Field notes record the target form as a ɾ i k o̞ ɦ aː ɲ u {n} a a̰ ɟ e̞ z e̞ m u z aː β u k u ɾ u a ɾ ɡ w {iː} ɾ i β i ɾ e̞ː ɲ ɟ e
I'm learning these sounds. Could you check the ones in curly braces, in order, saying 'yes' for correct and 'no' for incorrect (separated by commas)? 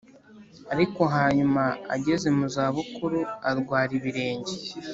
no, no